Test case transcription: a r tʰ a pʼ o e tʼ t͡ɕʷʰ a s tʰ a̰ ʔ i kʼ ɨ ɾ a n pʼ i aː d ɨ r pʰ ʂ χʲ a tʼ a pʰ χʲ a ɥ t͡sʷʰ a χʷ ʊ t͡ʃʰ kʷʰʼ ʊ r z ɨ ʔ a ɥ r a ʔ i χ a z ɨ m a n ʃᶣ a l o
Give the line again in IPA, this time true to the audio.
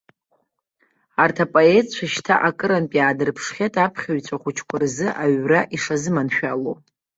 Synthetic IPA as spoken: a r tʰ a pʼ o e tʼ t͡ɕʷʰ a ʃ tʰ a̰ ʔ a kʼ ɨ ɾ a n pʼ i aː d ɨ r pʰ ʂ χʲ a tʼ a pʰ χʲ a ɥ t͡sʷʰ a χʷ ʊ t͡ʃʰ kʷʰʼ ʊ r z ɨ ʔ a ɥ r a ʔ i ʂ a z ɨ m a n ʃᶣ a l o

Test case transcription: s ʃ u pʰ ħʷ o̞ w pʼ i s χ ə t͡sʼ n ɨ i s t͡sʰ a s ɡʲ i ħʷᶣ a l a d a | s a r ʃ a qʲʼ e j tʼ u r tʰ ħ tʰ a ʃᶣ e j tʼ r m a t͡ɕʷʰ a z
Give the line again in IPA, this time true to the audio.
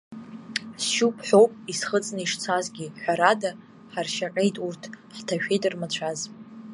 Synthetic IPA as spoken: s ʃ u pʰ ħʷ o̞ w pʼ i s χ ə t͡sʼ n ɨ i ʂ t͡sʰ a z ɡʲ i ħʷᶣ a ɾ a d a | ħ a r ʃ a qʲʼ e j tʼ u r tʰ ħ tʰ a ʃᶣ e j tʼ r m a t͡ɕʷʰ a z

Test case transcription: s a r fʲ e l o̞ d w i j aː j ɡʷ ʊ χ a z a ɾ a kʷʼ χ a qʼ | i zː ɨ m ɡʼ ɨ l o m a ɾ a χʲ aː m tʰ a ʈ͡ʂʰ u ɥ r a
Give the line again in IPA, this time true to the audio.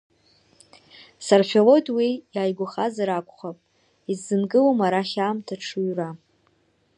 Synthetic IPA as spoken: s a r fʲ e l o̞ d w i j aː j ɡʷ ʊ χ a z a ɾ a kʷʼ χ a pʼ | i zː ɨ n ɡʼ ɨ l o m a ɾ a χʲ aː m tʰ a ʈ͡ʂʰ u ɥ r a

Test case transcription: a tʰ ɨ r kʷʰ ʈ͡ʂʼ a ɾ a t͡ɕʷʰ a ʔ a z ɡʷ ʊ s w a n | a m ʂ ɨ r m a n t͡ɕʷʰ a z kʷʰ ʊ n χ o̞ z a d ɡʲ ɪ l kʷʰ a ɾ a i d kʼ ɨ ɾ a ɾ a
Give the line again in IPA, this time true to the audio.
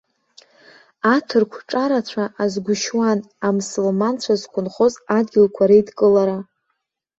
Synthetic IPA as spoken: a tʰ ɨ r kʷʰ ʈ͡ʂʼ a ɾ a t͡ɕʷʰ a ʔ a z ɡʷ ʊ ʃ w a n | a m s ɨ l m a n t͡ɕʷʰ a z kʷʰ ʊ n χ o̞ z a d ɡʲ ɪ l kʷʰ a ɾ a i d kʼ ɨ l a ɾ a

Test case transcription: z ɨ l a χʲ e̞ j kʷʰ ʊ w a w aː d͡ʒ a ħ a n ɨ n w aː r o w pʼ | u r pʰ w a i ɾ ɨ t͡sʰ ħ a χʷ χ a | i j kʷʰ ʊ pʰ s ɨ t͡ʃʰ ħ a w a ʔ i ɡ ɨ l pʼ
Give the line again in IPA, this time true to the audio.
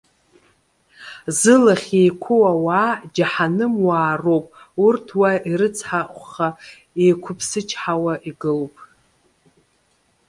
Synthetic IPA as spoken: z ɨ l a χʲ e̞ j kʷʰ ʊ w a w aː d͡ʒ a ħ a n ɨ m w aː r o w pʼ | u r tʰ w a i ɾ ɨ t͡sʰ ħ a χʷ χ a | e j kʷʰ ʊ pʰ s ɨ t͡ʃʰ ħ a w a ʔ i ɡ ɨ l pʼ

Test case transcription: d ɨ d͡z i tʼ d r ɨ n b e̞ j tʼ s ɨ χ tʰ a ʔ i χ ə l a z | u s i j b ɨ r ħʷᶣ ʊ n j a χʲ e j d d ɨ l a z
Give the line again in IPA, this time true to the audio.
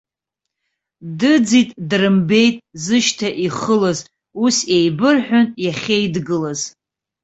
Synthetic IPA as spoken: d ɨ d͡z i tʼ d r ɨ m b e̞ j tʼ z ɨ ʃ tʰ a ʔ i χ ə l a z | u s e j b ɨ r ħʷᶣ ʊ n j a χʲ e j d ɡ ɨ l a z

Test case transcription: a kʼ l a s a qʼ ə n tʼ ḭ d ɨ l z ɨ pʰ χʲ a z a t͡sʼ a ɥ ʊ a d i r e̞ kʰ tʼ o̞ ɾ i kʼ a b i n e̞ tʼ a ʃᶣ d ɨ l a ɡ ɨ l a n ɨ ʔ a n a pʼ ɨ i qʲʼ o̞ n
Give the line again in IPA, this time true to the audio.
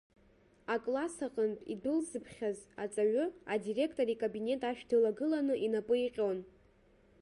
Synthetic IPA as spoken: a kʼ l a s a qʼ ə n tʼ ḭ d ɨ l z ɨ pʰ χʲ a z a t͡sʼ a ɥ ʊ a d i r e̞ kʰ tʼ o̞ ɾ i kʼ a b i n e̞ tʼ a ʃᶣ d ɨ l a ɡ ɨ l a n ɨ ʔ i n a pʼ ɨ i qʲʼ o̞ n

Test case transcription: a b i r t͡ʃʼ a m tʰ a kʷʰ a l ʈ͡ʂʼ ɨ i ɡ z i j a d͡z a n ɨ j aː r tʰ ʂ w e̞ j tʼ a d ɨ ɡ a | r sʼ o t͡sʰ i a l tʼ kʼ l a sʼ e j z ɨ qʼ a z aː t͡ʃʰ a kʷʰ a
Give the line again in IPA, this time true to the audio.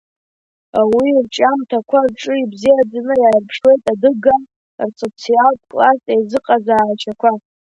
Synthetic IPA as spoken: a w i r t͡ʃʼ a m tʰ a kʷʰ a r ʈ͡ʂʼ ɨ i b z i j a d͡z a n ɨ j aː r pʰ ʂ w e̞ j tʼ a d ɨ ɡ a | r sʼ o t͡sʰ i a l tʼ kʼ l a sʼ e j z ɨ qʼ a z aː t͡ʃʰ a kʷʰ a

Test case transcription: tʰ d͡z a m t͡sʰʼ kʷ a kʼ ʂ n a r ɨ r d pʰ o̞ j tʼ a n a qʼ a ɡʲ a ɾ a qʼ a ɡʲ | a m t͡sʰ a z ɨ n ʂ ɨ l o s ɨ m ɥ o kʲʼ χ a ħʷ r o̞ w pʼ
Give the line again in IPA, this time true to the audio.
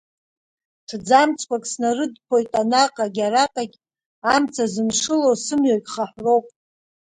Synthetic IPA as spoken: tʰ d͡z a m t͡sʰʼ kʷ a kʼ s n a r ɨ d pʰ o̞ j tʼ a n a qʼ a ɡʲ a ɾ a qʼ a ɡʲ | a m t͡sʰ a z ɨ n ʂ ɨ l o s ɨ m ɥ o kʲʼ χ a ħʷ r o̞ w pʼ

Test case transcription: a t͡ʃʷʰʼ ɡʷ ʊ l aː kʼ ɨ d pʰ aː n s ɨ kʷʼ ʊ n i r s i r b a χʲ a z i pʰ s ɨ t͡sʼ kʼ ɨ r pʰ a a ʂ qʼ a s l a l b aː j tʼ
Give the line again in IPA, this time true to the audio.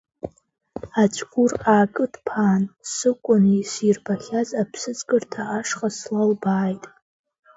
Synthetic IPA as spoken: a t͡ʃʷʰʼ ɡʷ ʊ r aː kʼ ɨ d pʰ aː n s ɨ kʷʼ ʊ n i s i r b a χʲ a z a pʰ s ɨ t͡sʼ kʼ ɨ r tʰ a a ʂ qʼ a s l a l b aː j tʼ

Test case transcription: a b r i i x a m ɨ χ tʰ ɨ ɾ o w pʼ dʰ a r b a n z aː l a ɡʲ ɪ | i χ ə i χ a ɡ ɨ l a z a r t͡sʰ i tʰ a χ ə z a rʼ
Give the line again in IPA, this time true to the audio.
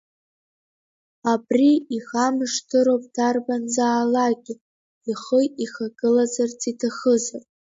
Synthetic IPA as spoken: a b r i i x a m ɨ ʂ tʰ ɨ ɾ o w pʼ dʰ a r b a n z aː l a ɡʲ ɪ | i χ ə i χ a ɡ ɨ l a z a r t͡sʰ i tʰ a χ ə z a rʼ

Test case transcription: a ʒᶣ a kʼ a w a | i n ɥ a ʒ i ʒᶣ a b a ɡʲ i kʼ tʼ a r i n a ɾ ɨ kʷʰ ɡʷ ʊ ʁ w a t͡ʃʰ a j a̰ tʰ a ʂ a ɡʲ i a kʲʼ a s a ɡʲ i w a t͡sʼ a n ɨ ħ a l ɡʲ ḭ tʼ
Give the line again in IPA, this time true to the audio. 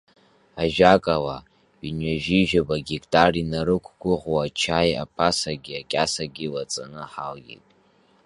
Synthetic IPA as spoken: a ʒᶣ a kʼ a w a | i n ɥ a ʒ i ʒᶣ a b a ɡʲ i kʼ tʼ a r i n a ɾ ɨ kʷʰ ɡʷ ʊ ʁ w a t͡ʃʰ a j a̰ pʰ a s a ɡʲ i a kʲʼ a s a ɡʲ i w a t͡sʼ a n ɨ ħ a l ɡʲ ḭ tʼ

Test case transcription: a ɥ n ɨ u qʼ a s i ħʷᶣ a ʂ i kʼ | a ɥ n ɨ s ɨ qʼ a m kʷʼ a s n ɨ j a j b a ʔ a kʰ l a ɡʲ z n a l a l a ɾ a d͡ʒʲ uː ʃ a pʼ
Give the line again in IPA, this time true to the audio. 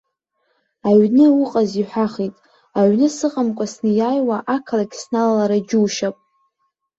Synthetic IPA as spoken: a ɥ n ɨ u qʼ a z i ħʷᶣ a χ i tʼ | a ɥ n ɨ s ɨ qʼ a m kʷʼ a s n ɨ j a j w a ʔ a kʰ l a ɡʲ s n a l a l a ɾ a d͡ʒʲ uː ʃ a pʼ

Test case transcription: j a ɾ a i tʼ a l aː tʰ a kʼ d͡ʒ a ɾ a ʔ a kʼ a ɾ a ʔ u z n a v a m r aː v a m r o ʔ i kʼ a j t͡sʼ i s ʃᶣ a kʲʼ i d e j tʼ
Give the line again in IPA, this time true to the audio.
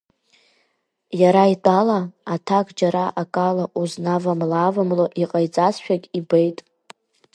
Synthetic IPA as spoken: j a ɾ a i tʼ a l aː tʰ a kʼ d͡ʒ a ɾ a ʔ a kʼ a l a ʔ u z n a v a m l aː v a m l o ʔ i qʼ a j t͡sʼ a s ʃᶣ a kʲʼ i b e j tʼ

